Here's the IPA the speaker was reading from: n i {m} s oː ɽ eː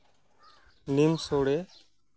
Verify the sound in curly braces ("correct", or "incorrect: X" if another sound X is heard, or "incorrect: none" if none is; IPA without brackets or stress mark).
correct